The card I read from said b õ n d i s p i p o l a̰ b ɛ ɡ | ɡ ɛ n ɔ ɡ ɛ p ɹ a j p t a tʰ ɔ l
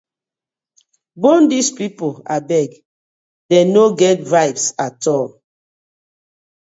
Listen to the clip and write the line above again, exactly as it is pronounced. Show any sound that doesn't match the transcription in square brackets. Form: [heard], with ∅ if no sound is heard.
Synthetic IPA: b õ n d i s p i p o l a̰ b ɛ ɡ | [d] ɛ n [o] ɡ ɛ [t] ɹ a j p [s] a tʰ ɔ l